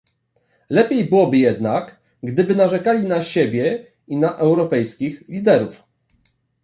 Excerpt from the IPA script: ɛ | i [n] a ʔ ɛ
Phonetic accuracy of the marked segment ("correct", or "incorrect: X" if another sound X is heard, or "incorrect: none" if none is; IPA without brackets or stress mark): correct